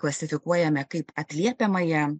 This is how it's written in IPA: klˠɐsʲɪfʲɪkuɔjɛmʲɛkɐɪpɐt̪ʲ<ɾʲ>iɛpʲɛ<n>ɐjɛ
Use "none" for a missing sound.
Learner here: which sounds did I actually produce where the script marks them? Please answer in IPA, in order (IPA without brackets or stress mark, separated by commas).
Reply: lʲ, m